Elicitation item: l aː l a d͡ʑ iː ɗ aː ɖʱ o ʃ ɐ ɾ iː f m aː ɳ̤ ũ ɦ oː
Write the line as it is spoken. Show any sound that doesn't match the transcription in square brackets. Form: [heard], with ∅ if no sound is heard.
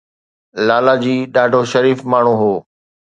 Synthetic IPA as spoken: l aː l a d͡ʑ iː ɗ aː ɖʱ o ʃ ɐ ɾ iː f m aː ɳ̤ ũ ɦ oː